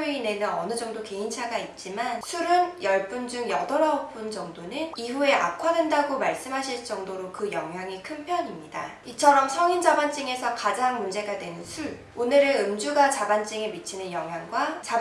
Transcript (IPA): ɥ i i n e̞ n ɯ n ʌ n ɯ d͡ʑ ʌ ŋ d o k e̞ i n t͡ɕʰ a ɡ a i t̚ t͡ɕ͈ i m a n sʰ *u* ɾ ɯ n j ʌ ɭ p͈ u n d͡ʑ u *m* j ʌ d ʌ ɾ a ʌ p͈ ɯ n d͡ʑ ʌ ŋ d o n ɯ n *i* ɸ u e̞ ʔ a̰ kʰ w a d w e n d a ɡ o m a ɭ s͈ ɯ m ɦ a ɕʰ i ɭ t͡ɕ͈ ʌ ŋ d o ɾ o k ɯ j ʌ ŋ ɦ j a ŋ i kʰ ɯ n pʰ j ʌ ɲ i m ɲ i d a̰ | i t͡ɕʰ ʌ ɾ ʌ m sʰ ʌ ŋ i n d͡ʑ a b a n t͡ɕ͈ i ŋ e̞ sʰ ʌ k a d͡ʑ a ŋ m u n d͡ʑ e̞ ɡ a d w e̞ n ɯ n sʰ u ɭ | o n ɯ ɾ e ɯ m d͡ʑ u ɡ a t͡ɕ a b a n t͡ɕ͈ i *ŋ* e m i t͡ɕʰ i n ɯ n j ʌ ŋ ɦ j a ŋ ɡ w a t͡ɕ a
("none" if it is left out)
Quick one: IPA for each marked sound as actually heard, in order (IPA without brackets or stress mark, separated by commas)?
u, ŋ, i, ŋ